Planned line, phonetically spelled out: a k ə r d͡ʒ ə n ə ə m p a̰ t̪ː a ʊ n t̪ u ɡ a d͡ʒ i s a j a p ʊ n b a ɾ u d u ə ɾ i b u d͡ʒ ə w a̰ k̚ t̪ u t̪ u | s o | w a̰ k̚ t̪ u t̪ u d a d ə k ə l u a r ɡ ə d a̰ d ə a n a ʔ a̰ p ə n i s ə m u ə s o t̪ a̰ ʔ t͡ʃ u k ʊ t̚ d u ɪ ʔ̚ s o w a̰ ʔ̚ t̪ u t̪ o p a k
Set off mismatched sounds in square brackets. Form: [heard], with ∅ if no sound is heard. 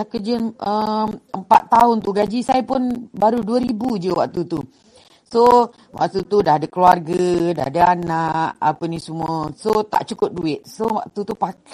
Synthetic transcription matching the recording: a k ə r d͡ʒ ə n ə ə m p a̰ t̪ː a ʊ n t̪ u ɡ a d͡ʒ i s a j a p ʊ n b a ɾ u d u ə ɾ i b u d͡ʒ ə w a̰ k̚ t̪ u t̪ u | s o | w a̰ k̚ t̪ u t̪ u d a d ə k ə l u a r ɡ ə d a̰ d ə a n a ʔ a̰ p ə n i s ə m u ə s o t̪ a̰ ʔ t͡ʃ u k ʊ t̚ d u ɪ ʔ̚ s o w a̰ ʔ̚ t̪ u t̪ [u] p a k